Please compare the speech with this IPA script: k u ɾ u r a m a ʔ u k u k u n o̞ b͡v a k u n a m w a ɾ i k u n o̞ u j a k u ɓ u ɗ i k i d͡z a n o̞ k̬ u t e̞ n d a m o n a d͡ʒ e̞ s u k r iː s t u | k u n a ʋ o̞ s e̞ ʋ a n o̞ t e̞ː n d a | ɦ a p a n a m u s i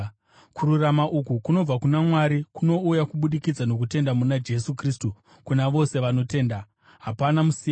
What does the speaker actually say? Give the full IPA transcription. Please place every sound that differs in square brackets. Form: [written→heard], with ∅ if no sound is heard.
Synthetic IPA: k u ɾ u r a m a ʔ u k u k u n o̞ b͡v a k u n a m w a ɾ i k u n o̞ u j a k u ɓ u ɗ i k i d͡z a n o̞ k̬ u t e̞ n d a m [o→u] n a d͡ʒ e̞ s u k r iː s t u | k u n a ʋ o̞ s e̞ ʋ a n o̞ t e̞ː n d a | ɦ a p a n a m u s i